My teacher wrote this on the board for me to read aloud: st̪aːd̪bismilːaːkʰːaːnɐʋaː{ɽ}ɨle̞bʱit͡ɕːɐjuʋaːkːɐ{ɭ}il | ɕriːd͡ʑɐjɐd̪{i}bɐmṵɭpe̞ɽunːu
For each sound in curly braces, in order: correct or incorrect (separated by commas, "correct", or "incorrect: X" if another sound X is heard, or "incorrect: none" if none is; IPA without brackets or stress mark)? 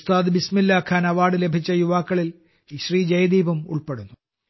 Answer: correct, correct, incorrect: iː